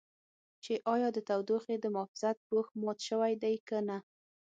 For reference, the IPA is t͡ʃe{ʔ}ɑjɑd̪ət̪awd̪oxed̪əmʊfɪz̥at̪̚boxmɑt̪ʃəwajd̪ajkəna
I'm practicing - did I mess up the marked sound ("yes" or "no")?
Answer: no